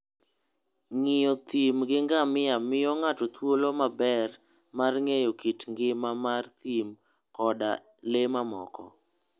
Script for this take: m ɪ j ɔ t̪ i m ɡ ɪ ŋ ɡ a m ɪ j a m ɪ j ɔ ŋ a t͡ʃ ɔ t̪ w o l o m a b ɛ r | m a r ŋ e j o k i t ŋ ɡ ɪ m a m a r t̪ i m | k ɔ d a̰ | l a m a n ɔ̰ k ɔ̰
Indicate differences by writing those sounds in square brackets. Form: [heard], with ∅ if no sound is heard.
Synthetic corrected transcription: [ŋ] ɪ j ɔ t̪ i m ɡ ɪ ŋ ɡ a m ɪ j a m ɪ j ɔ ŋ a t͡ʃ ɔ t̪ w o l o m a b ɛ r | m a r ŋ e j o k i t ŋ ɡ ɪ m a m a r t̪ i m | k ɔ d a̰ | l [e] m a [m] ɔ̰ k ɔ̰